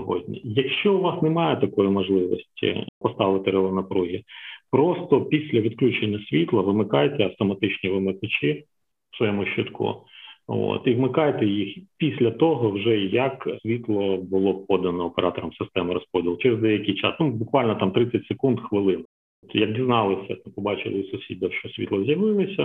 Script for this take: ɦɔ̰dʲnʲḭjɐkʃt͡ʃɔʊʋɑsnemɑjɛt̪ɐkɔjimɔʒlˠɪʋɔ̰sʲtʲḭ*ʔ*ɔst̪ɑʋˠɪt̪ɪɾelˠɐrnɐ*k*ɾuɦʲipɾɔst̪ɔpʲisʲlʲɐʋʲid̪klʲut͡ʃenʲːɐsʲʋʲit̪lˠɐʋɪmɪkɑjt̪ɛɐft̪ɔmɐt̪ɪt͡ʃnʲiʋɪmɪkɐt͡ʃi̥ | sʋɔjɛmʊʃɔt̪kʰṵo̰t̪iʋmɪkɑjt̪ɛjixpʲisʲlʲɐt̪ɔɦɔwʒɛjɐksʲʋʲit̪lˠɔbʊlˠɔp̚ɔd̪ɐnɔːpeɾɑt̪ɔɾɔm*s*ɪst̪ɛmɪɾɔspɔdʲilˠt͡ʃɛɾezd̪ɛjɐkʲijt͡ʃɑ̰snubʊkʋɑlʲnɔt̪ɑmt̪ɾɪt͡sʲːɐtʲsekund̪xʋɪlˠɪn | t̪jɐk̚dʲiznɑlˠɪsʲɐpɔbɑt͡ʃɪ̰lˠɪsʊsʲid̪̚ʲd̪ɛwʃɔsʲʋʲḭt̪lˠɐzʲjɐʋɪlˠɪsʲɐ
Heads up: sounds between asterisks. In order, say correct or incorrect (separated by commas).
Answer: incorrect, incorrect, correct